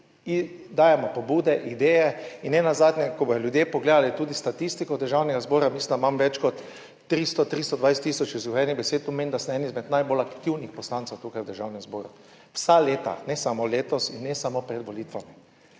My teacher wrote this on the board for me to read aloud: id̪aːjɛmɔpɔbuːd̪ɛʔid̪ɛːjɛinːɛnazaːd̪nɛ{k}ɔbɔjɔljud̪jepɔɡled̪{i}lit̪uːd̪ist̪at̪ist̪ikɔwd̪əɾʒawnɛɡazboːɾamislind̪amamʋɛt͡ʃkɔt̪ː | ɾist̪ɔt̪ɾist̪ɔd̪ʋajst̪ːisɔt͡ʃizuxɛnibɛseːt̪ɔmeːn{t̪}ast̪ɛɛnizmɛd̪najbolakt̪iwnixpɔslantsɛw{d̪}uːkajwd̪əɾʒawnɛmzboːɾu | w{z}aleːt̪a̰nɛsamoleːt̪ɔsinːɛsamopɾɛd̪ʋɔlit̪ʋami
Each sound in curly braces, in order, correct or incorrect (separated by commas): correct, incorrect, incorrect, incorrect, incorrect